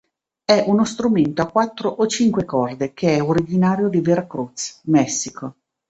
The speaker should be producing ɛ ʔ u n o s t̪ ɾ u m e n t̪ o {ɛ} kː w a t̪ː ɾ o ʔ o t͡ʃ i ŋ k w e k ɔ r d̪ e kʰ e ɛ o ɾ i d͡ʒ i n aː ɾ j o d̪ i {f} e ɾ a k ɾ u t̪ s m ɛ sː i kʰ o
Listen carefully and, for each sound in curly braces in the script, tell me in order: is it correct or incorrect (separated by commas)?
incorrect, incorrect